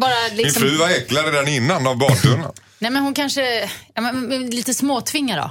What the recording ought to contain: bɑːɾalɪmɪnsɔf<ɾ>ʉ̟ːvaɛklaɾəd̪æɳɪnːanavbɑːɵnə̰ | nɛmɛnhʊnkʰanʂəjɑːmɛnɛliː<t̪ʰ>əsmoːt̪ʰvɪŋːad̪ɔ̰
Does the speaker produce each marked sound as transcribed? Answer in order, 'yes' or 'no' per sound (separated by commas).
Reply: yes, no